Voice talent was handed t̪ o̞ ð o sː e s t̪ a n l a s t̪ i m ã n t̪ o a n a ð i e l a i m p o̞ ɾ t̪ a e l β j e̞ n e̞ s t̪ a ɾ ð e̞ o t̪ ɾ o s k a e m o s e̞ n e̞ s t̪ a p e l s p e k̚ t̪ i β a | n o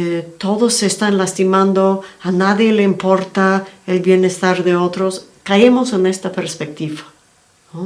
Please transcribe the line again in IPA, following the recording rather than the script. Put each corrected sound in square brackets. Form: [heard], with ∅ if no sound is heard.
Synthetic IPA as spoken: t̪ o̞ ð o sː e s t̪ a n l a s t̪ i m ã n [d̪] o a n a ð [j] e l [e] i m p o̞ ɾ t̪ a e l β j e̞ n e̞ s t̪ a ɾ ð e̞ o t̪ ɾ o s k a e m o s e̞ n e̞ s t̪ a p e [ɾ] s p e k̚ t̪ i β a | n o

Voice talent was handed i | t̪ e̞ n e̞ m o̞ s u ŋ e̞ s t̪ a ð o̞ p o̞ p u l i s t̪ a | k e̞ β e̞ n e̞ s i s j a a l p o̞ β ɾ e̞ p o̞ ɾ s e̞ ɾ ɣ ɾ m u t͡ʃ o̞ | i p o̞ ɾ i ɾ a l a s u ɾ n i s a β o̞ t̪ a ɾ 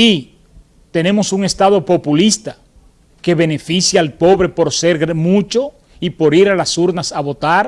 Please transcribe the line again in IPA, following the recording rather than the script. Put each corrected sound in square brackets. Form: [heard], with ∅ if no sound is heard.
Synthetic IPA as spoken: i | t̪ e̞ n e̞ m o̞ s u ŋ e̞ s t̪ a ð o̞ p o̞ p u l i s t̪ a | k e̞ β e̞ n e̞ [f] i s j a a l p o̞ β ɾ e̞ p o̞ ɾ s e̞ ɾ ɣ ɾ m u t͡ʃ o̞ | i p o̞ ɾ i ɾ a l a s u ɾ n [a] s a β o̞ t̪ a ɾ

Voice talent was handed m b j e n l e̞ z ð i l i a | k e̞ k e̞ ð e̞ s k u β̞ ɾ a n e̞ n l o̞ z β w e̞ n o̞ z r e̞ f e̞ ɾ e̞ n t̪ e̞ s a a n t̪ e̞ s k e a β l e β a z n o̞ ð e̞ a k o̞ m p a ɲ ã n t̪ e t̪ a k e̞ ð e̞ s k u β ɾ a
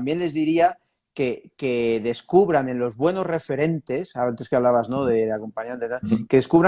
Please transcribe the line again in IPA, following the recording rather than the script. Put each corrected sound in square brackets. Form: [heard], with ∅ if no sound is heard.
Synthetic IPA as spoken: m b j e n l e̞ z ð i [ɾ] i a | k e̞ k e̞ ð e̞ s k u β̞ ɾ a n e̞ n l o̞ z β w e̞ n o̞ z r e̞ f e̞ ɾ e̞ n t̪ e̞ s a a n t̪ e̞ s k e a β l [a] β a z n o̞ ð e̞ a k o̞ m p a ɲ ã n t̪ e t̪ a k e̞ ð e̞ s k u β ɾ a

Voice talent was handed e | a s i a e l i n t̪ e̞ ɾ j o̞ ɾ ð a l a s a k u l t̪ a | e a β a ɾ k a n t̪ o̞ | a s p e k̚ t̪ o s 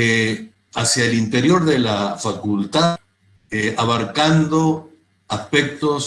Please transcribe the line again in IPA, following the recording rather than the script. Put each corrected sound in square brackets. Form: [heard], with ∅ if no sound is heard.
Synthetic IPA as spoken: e | a s [j] a e l i n t̪ e̞ ɾ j o̞ ɾ ð [e] l a [f] a k u l t̪ a | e a β a ɾ k a n [d̪] o̞ | a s p e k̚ t̪ o s

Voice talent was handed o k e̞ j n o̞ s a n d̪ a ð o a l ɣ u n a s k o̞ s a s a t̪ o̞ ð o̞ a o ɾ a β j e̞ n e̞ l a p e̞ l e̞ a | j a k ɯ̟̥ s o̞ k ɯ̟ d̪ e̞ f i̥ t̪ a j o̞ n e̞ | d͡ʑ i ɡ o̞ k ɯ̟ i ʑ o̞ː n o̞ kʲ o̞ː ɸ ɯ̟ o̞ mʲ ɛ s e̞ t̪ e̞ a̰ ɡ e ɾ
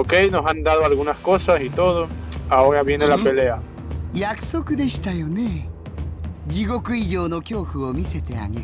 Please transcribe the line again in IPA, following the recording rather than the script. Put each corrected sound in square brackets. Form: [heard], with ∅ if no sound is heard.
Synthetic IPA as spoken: o k e̞ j n o̞ s a n d̪ a ð o a l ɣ u n a s k o̞ s a s [i] t̪ o̞ ð o̞ a o ɾ a β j e̞ n e̞ l a p e̞ l e̞ a | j a k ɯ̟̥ s o̞ k ɯ̟ d̪ e̞ [ɕ] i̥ t̪ a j o̞ n e̞ | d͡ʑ i ɡ o̞ k ɯ̟ i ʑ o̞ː n o̞ kʲ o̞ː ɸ ɯ̟ o̞ mʲ [i] s e̞ t̪ e̞ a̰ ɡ e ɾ

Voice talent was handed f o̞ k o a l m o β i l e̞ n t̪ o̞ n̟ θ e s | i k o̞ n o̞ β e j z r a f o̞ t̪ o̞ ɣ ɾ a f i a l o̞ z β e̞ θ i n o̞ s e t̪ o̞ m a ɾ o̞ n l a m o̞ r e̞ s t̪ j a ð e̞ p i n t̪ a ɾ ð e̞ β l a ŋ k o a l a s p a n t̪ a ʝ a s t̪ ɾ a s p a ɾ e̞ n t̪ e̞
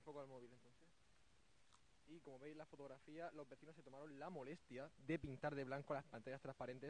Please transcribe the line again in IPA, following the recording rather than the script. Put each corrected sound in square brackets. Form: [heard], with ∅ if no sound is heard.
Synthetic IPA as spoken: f o̞ k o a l m o β i l e̞ n t̪ o̞ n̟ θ e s | i k o̞ [m] o̞ β e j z [l] a f o̞ t̪ o̞ ɣ ɾ a f i a l o̞ z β e̞ θ i n o̞ s e t̪ o̞ m a ɾ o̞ n l a m o̞ [l] e̞ s t̪ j a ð e̞ p i n t̪ a ɾ ð e̞ β l a ŋ k o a l a s p a n t̪ a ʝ a s t̪ ɾ a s p a ɾ e̞ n t̪ e̞

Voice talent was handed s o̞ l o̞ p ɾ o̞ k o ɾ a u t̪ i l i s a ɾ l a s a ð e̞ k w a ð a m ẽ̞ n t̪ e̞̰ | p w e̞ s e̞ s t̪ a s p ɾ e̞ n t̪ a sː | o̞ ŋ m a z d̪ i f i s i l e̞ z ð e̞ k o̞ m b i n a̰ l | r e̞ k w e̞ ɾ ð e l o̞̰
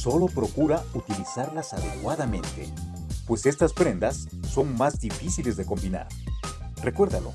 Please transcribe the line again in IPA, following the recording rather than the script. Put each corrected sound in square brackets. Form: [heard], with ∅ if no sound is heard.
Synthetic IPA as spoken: s o̞ l o̞ p ɾ o̞ k [u] ɾ a u t̪ i l i s a ɾ l a s a ð e̞ k w a ð a m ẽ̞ n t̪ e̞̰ | p w e̞ s e̞ s t̪ a s p ɾ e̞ n [d̪] a sː | o̞ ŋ m a z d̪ i f i s i l e̞ z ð e̞ k o̞ m b i n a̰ [ɾ] | r e̞ k w e̞ ɾ ð [a] l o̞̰

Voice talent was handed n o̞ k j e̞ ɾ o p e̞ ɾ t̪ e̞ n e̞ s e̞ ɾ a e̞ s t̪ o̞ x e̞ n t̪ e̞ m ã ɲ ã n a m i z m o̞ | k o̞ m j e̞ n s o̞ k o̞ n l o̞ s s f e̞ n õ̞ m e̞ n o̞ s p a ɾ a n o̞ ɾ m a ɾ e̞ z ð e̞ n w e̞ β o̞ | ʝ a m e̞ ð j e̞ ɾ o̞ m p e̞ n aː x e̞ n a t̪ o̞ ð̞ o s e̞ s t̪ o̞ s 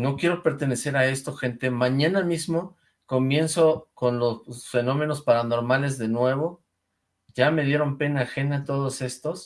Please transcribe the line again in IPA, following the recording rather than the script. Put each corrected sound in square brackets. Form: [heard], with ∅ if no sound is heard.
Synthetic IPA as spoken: n o̞ k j e̞ ɾ o p e̞ ɾ t̪ e̞ n e̞ s e̞ ɾ a e̞ s t̪ o̞ x e̞ n t̪ e̞ m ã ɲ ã n a m i z m o̞ | k o̞ m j e̞ n s o̞ k o̞ n l o̞ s s f e̞ n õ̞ m e̞ n o̞ s p a ɾ a n o̞ ɾ m a [l] e̞ z ð e̞ n w e̞ β o̞ | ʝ a m e̞ ð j e̞ ɾ o̞ m p e̞ n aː x e̞ n a t̪ o̞ ð̞ o s e̞ s t̪ o̞ s

